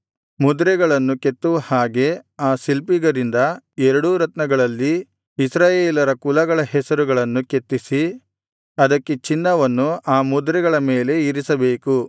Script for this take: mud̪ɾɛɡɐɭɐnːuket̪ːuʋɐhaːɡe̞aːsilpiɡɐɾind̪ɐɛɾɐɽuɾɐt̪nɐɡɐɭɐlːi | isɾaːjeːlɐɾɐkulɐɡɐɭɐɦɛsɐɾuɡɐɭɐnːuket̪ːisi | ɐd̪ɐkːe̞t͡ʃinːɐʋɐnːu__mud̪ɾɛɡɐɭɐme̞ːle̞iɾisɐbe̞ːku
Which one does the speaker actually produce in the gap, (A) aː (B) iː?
A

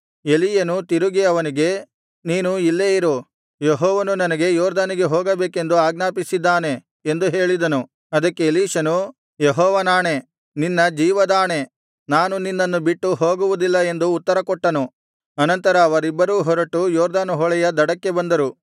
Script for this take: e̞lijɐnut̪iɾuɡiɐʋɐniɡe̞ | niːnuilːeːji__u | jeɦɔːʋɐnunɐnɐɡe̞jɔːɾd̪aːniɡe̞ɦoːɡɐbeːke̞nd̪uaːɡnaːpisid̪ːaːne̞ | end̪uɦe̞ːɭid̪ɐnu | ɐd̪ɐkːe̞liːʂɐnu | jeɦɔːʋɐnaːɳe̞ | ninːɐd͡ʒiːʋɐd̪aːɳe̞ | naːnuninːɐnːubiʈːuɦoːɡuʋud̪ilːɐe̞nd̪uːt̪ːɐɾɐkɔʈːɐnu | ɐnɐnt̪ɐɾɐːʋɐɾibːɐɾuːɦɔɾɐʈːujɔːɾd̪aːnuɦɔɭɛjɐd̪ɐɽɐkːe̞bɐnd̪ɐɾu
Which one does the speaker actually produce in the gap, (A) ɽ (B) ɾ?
B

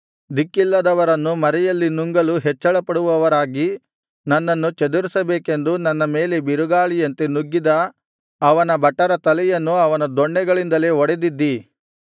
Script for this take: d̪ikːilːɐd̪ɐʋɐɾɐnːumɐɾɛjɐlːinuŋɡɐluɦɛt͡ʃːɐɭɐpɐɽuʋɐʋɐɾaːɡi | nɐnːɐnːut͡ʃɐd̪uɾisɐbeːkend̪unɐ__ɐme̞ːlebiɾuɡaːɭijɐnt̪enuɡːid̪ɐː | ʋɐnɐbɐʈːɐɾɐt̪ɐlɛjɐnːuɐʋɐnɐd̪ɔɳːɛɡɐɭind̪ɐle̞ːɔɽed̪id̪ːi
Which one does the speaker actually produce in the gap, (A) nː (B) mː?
A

